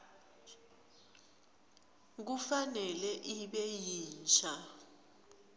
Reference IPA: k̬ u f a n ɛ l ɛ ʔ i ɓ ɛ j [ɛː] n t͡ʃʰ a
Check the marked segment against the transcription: incorrect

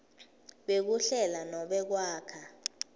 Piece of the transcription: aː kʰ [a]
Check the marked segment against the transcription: correct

